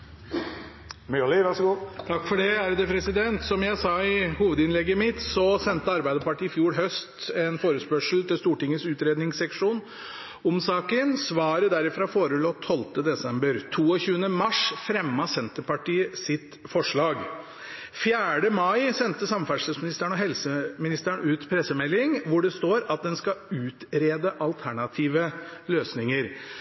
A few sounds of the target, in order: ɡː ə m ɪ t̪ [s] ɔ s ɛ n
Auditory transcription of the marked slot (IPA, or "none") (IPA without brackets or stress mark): s